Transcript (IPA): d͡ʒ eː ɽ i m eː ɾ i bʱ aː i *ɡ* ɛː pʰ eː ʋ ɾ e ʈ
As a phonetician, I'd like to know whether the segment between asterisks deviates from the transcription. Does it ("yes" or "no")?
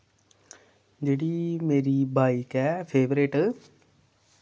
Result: yes